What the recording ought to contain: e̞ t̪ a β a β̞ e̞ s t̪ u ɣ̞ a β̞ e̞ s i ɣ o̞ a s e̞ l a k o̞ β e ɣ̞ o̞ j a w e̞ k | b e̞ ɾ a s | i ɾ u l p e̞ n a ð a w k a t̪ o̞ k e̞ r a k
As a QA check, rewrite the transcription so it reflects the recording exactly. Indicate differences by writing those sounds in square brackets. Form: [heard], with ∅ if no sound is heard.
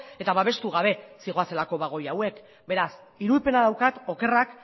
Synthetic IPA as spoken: e̞ t̪ a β a β̞ e̞ s t̪ u ɣ̞ a β̞ e̞ s i ɣ o̞ a s e̞ l a k o̞ β [a] ɣ̞ o̞ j a w e̞ k | b e̞ ɾ a s | i ɾ u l p e̞ n a ð a w k a t̪ o̞ k e̞ r a k